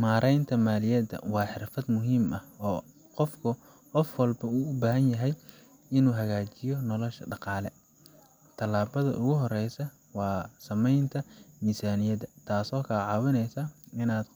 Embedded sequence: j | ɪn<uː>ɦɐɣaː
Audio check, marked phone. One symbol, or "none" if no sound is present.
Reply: uː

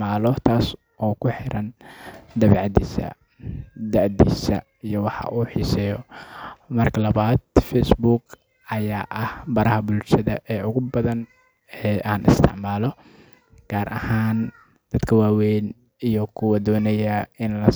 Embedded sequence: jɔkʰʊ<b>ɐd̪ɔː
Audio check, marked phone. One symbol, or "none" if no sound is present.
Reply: w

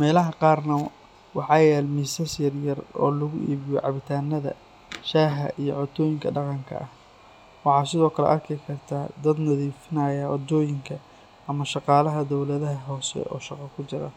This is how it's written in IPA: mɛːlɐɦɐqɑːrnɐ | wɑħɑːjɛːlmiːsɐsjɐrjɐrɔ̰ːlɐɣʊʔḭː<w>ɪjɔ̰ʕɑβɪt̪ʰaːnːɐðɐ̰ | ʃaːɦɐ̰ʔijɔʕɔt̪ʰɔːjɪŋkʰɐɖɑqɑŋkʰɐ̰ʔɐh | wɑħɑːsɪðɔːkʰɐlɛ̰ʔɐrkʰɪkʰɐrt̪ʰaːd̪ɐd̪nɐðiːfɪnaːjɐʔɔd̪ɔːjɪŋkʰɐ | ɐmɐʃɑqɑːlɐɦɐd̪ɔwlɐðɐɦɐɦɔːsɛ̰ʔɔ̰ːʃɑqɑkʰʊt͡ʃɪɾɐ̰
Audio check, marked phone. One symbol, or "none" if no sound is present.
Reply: β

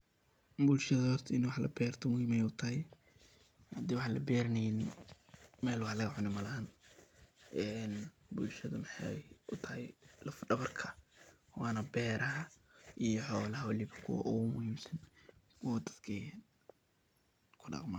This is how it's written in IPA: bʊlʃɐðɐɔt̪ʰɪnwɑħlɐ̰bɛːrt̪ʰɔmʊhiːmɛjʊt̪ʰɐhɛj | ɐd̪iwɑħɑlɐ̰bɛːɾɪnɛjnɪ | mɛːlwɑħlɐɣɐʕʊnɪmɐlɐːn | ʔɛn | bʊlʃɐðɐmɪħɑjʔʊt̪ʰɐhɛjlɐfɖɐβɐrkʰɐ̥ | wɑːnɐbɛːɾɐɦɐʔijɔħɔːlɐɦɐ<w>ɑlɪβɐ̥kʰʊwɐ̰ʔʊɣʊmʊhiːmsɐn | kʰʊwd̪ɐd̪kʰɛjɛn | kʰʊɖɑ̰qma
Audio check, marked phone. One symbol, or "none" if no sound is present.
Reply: w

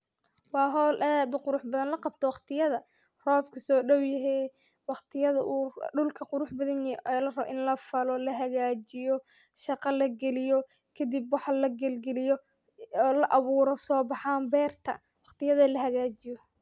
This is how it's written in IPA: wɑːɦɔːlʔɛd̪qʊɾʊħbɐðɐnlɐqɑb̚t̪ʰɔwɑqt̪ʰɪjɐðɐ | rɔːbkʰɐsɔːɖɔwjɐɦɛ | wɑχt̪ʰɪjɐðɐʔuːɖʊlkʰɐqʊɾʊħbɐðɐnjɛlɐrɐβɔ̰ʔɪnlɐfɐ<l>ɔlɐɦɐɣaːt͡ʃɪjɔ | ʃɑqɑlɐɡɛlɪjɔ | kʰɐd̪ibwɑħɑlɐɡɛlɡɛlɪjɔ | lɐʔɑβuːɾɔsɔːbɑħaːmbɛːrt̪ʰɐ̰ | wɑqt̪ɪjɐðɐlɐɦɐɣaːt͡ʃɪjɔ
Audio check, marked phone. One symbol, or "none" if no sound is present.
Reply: l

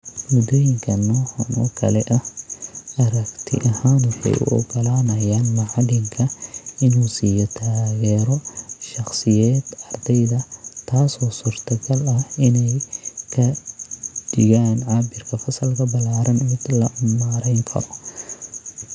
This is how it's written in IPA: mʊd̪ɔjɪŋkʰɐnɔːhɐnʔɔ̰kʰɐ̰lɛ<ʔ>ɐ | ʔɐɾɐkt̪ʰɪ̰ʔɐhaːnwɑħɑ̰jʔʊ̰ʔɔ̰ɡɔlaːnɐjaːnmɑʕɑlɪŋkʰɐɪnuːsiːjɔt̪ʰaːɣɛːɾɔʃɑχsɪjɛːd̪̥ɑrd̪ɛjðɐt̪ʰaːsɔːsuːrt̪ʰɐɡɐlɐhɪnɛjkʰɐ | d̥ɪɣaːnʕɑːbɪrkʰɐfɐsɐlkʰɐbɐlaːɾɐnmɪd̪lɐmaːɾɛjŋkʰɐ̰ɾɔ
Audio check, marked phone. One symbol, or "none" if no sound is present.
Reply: ʔ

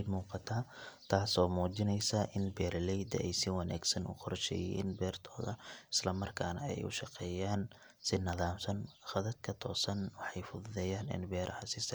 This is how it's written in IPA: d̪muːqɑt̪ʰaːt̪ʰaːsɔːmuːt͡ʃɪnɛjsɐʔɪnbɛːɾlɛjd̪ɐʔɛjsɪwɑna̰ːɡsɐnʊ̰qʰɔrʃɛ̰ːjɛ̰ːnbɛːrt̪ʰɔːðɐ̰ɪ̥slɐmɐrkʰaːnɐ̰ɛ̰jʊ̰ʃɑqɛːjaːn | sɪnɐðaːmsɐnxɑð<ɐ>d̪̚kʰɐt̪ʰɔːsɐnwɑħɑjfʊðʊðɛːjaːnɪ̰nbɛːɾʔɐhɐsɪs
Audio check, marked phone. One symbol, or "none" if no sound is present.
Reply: ɐ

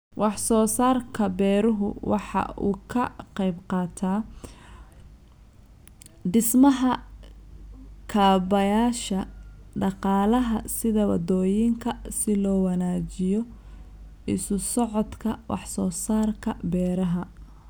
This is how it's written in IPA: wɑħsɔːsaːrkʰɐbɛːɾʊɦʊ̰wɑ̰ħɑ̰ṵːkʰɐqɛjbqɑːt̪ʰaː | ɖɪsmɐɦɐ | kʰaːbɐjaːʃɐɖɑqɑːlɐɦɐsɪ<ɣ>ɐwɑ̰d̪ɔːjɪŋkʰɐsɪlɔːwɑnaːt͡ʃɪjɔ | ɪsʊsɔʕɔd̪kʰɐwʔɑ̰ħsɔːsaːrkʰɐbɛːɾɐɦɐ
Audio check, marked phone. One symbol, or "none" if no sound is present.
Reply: ð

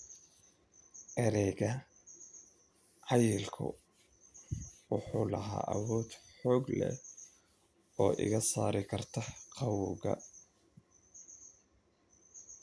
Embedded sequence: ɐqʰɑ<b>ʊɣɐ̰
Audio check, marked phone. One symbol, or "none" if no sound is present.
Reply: w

